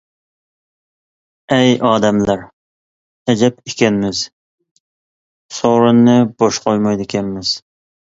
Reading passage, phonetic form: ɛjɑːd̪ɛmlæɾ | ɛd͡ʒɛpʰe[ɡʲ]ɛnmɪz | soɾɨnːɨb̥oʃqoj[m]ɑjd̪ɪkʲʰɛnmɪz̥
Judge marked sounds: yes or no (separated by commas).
no, yes